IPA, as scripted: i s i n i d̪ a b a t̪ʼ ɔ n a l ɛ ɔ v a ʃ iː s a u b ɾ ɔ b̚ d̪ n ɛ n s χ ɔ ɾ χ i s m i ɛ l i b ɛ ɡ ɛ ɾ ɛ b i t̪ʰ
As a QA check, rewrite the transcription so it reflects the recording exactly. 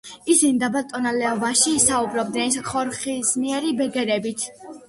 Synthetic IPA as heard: i s i n i d̪ a b a t̪ʼ ɔ n a l ɛ ɔ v a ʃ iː s a u b ɾ ɔ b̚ d̪ n ɛ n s χ ɔ ɾ χ i s m i ɛ ɾ i b ɛ ɡ ɛ ɾ ɛ b i t̪ʰ

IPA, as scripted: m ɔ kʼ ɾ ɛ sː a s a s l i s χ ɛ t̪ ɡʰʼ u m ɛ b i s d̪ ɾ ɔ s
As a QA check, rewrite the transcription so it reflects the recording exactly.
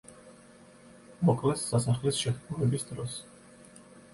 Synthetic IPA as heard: m ɔ kʼ l ɛ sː a s a χ l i s ʃ ɛ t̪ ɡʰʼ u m ɛ b i s d̪ ɾ ɔ s

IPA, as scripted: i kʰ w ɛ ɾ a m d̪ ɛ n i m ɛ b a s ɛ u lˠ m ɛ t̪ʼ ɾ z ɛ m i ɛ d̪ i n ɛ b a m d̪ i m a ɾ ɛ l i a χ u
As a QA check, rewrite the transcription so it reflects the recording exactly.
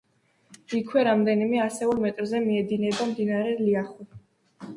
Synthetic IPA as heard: i kʰ w ɛ ɾ a m d̪ ɛ n i m ɛ a s ɛ u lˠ m ɛ t̪ʼ ɾ z ɛ m i ɛ d̪ i n ɛ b a m d̪ i n a ɾ ɛ l i a χ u

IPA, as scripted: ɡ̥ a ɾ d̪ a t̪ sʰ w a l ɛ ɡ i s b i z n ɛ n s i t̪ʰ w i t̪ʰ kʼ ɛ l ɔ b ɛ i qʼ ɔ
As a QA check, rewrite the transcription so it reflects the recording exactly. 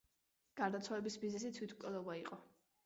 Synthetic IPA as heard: ɡ̥ a ɾ d̪ a t̪ sʰ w a l ɛ b i s b i z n ɛ s i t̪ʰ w i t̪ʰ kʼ ɛ l ɔ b a i qʼ ɔ

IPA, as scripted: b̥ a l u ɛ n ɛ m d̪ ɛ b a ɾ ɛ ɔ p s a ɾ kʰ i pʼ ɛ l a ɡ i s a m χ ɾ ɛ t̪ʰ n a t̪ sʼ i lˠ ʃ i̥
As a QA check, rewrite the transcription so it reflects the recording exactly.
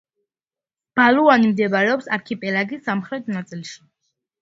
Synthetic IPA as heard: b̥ a l u a n i m d̪ ɛ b a ɾ ɛ ɔ p s a ɾ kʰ i pʼ ɛ l a ɡ i s a m χ ɾ ɛ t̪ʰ n a t̪ sʼ i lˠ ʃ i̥

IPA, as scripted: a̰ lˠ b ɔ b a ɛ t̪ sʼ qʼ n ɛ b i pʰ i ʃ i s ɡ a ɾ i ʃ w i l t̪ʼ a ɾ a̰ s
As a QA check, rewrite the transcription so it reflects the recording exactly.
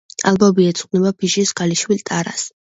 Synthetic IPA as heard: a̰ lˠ b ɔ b i ɛ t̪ sʼ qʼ n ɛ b a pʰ i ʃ i s ɡ a l i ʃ w i l t̪ʼ a ɾ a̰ s

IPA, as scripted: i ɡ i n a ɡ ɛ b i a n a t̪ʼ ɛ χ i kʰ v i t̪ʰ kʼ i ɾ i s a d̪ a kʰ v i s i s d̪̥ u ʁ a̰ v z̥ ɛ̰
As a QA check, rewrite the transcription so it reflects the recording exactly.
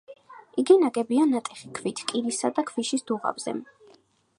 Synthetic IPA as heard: i ɡ i n a ɡ ɛ b i a n a t̪ʼ ɛ χ i kʰ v i t̪ʰ kʼ i ɾ i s a d̪ a kʰ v i ʃ i s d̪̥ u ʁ a̰ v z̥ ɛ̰

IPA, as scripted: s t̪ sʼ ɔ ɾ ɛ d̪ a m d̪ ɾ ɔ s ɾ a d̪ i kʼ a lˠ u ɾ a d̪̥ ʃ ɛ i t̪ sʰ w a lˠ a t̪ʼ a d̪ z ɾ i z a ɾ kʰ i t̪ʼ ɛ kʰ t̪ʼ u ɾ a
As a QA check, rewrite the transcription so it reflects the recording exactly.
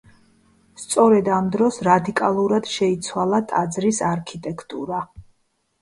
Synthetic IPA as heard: s t̪ sʼ ɔ ɾ ɛ d̪ a m d̪ ɾ ɔ s ɾ a d̪ i kʼ a lˠ u ɾ a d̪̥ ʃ ɛ i t̪ sʰ w a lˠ a t̪ʼ a d̪ z ɾ i s a ɾ kʰ i t̪ʼ ɛ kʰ t̪ʼ u ɾ a

